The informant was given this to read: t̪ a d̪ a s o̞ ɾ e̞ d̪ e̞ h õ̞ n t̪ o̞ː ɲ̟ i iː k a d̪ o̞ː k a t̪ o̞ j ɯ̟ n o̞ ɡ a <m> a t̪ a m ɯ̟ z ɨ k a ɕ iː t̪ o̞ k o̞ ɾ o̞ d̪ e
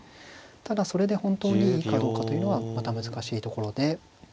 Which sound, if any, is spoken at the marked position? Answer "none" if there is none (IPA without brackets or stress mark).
m